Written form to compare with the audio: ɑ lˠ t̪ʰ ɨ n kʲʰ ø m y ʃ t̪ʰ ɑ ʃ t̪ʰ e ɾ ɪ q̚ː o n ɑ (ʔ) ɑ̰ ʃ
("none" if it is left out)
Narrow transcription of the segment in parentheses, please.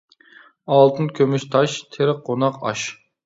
q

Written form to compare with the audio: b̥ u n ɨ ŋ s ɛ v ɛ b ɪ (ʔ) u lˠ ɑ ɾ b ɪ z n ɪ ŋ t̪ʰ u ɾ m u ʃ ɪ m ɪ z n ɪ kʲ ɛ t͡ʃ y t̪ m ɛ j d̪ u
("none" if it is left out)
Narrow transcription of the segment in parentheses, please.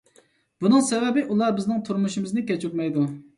ʔ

